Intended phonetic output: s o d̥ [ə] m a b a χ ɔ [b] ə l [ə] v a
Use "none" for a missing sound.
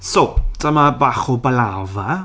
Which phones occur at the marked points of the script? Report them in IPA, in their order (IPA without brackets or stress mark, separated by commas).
ə, b, a